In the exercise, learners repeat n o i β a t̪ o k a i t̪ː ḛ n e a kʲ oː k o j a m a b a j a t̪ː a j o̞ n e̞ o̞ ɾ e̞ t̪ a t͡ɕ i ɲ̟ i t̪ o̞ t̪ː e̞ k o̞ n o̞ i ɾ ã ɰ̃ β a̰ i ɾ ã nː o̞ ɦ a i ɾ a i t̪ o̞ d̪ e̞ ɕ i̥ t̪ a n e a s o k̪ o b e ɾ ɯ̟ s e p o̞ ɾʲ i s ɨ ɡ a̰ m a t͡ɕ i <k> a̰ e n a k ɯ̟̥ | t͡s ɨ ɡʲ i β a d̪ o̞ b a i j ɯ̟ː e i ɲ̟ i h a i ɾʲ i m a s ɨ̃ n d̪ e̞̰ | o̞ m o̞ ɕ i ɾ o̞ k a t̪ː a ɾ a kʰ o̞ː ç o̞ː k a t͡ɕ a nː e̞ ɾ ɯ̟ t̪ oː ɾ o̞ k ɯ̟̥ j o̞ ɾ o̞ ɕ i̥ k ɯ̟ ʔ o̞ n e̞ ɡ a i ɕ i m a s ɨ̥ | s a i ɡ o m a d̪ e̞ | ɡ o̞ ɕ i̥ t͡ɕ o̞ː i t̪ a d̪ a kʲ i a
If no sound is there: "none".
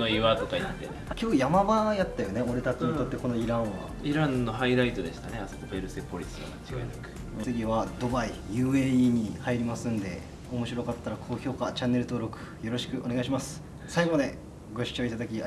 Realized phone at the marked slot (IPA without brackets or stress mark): ɡ